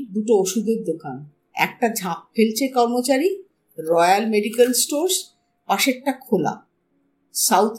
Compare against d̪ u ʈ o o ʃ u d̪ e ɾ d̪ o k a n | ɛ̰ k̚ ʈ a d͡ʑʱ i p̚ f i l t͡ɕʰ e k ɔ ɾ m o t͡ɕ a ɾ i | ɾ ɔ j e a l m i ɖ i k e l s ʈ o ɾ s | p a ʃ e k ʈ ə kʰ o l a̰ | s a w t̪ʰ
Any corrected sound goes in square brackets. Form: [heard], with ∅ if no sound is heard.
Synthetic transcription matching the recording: d̪ u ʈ o o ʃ u d̪ e ɾ d̪ o k a n | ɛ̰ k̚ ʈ a d͡ʑʱ [a] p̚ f [e] l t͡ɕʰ e k ɔ ɾ m o t͡ɕ a ɾ i | ɾ ɔ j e a l m [e] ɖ i k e l s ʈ o ɾ s | p a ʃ e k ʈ [a] kʰ o l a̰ | s a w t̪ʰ